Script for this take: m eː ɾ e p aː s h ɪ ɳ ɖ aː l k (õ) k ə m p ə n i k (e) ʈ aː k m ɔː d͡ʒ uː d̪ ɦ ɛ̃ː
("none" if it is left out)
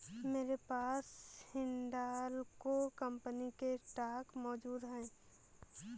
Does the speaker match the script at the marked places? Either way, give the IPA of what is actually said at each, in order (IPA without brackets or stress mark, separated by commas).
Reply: o, e